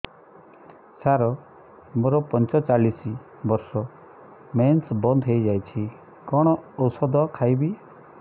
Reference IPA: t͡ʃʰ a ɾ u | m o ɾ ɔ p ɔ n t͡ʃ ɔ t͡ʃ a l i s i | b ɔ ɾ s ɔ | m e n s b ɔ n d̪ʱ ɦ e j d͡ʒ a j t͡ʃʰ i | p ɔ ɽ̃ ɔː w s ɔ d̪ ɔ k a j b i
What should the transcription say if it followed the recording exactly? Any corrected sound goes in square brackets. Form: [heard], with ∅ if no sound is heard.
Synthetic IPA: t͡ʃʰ a ɾ [ɔ] | m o ɾ ɔ p ɔ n t͡ʃ ɔ t͡ʃ a l i s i | b ɔ ɾ s ɔ | m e n s b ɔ n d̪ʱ ɦ e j d͡ʒ a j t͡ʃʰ i | [k] ɔ ɽ̃ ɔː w s ɔ d̪ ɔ [kʰ] a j b i